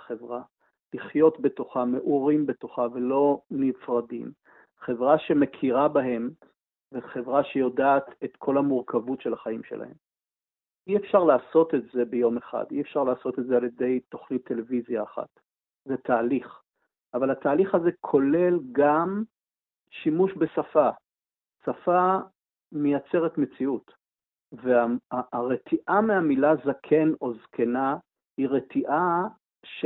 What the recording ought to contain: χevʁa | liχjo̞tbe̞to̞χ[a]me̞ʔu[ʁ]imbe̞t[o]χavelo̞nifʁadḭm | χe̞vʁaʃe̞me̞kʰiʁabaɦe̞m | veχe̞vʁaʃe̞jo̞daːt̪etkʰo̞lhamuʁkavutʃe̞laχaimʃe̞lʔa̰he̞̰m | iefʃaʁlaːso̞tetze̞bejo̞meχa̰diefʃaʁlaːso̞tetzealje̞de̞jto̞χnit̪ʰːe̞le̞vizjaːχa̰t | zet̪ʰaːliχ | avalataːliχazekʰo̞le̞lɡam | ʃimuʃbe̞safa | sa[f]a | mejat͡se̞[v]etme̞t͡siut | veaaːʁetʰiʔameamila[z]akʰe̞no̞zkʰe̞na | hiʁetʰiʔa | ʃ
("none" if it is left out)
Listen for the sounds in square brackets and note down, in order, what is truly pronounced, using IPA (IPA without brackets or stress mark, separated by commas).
a, ʁ, o, f, ʁ, z